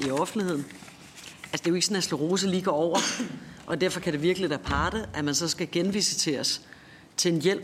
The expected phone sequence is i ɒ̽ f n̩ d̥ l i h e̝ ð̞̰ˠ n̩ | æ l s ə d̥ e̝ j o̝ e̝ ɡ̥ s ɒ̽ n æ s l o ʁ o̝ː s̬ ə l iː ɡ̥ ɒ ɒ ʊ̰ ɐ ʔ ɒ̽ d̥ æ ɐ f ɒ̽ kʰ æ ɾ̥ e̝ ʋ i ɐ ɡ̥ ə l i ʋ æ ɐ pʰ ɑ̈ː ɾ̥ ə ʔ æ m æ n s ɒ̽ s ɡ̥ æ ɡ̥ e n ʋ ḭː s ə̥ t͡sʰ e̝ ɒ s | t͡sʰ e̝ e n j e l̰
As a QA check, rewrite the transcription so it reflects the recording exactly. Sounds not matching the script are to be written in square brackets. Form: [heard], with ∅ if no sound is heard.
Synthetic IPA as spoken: i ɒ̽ f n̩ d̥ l i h e̝ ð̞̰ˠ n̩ | æ l s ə d̥ e̝ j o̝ e̝ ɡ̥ s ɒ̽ n æ s l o ʁ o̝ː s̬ ə l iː ɡ̥ ɒ ɒ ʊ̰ ɐ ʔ ɒ̽ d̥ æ ɐ f ɒ̽ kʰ æ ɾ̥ e̝ ʋ i ɐ ɡ̥ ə l i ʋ æ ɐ pʰ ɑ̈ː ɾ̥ ə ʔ æ m æ n s ɒ̽ s ɡ̥ æ ɡ̥ e n ʋ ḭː s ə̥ t͡sʰ e̝ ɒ s | t͡sʰ e̝ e n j e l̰